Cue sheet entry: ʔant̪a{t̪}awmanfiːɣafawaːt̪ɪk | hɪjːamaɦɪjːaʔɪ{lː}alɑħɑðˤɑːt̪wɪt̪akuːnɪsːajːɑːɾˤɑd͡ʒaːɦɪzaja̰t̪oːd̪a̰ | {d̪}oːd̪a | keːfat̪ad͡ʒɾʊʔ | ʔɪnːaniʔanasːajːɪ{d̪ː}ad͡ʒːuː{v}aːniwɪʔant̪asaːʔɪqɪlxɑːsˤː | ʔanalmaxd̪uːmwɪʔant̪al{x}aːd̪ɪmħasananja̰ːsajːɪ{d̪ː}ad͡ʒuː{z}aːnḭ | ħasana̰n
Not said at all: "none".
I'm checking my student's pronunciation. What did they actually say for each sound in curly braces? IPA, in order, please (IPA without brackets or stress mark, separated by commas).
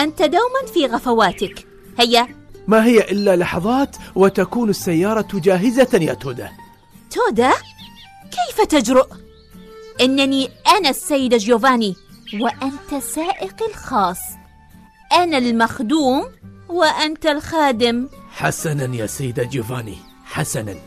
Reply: d̪, lː, t̪, d̪, v, x, d̪, v